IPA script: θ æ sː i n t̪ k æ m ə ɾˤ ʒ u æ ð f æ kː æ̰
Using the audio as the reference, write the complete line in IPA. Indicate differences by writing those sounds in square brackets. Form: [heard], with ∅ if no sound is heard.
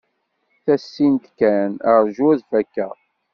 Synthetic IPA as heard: θ æ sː i n t̪ k æ [n] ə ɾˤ ʒ u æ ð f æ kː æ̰